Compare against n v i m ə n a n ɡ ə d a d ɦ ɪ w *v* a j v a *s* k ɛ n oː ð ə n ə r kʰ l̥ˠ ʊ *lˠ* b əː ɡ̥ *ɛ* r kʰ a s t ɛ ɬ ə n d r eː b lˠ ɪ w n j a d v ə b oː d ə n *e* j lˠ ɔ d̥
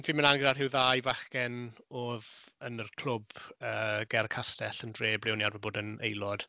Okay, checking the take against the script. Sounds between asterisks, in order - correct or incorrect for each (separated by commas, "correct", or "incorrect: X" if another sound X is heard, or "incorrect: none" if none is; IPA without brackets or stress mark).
incorrect: ð, incorrect: χ, incorrect: none, correct, correct